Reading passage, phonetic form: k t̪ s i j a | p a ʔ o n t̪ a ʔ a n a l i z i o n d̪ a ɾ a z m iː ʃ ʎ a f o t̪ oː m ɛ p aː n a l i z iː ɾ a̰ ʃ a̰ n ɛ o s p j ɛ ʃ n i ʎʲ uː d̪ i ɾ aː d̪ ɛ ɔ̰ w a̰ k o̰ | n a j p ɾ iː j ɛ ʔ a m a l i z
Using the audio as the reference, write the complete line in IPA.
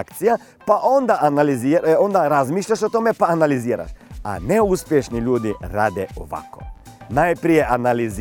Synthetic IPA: k t̪ s i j a | p a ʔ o n d̪ a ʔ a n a l i z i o n d̪ a ɾ a z m iː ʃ ʎ a ʃ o t̪ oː m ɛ p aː n a l i z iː ɾ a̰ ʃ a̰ n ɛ u s p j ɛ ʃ n i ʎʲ uː d̪ i ɾ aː d̪ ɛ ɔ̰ ʋ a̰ k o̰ | n a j p ɾ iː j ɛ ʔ a n a l i z